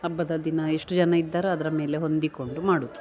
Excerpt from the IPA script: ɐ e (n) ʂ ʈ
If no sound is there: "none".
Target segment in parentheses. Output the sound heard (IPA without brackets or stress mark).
none